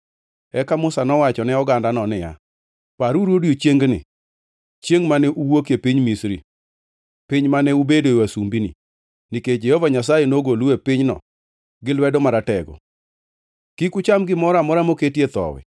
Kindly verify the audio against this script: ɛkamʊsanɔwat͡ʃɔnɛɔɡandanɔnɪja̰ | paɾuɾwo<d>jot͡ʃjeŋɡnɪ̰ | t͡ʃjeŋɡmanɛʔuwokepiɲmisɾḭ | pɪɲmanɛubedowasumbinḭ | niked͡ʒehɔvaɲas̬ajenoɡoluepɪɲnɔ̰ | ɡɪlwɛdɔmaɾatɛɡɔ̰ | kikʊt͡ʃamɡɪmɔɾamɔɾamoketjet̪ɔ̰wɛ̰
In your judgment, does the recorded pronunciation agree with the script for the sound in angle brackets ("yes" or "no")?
yes